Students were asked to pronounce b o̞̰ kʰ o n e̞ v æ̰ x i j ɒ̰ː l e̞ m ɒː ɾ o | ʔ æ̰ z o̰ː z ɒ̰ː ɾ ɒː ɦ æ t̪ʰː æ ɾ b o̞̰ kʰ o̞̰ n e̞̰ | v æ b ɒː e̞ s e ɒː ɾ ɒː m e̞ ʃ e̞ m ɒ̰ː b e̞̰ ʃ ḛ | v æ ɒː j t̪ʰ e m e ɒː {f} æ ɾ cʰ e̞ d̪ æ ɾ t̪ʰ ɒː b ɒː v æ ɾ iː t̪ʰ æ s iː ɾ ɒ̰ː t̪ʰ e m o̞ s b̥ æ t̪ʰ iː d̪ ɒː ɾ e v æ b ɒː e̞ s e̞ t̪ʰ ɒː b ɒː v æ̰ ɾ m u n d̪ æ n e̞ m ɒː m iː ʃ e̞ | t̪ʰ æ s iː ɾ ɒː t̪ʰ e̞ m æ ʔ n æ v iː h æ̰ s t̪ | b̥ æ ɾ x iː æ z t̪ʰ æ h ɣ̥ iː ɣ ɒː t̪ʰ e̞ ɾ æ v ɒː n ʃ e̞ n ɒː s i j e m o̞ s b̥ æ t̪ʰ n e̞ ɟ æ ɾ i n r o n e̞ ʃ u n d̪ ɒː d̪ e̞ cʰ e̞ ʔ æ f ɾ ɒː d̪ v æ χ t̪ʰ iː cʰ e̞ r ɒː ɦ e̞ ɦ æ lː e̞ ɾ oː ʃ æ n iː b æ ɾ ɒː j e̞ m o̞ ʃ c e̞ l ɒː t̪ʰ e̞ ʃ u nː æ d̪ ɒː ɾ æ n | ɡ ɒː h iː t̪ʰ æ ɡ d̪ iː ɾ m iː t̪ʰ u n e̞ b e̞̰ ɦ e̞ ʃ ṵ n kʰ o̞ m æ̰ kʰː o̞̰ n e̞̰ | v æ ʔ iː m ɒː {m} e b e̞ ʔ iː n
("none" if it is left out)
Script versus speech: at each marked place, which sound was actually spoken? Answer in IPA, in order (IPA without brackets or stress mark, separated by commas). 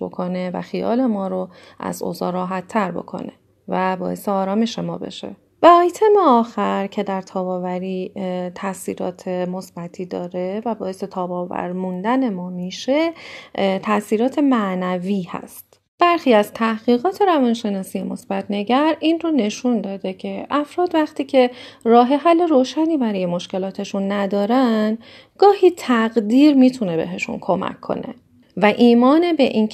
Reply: x, n